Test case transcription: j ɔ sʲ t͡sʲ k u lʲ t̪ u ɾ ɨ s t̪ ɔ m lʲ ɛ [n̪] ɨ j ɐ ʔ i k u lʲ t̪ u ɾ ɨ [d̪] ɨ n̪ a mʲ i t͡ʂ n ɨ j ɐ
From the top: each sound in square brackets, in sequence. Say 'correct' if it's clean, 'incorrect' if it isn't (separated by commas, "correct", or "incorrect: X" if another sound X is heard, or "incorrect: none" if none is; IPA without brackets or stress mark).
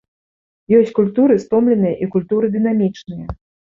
correct, correct